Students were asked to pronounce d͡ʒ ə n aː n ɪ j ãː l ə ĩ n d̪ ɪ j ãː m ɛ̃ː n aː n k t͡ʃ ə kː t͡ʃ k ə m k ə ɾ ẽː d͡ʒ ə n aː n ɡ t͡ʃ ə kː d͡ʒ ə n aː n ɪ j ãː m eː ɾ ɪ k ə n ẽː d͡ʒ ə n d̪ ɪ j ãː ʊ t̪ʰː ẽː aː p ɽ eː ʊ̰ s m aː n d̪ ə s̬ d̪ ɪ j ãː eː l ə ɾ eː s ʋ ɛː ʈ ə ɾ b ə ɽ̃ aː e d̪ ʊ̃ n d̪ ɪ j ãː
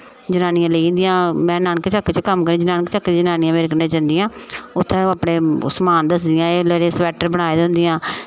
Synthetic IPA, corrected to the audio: d͡ʒ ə n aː n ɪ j ãː l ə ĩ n d̪ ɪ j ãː m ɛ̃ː n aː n k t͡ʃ ə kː t͡ʃ k ə m k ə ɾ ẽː d͡ʒ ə n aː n k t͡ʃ ə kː d͡ʒ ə n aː n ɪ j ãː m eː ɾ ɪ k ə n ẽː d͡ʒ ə n d̪ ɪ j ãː ʊ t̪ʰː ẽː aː p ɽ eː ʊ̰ s m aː n d̪ ə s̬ d̪ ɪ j ãː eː l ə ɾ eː s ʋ ɛː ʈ ə ɾ b ə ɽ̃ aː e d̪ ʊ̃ n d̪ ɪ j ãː